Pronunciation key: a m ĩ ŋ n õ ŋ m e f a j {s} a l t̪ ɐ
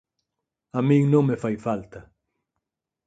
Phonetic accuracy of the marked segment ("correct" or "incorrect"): incorrect